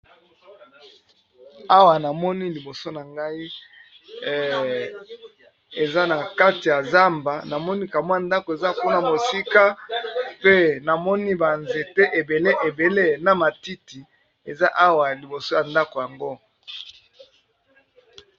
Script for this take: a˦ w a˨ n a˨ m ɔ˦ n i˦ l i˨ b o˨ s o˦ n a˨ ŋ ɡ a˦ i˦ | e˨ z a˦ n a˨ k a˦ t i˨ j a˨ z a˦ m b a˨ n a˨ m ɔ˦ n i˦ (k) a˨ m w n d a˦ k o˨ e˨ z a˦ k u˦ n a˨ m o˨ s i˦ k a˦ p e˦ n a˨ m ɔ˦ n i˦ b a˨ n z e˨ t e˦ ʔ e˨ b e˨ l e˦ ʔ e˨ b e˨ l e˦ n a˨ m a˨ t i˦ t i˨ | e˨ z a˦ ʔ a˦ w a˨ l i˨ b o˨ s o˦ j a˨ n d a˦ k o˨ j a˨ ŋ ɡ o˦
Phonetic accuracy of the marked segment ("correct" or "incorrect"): correct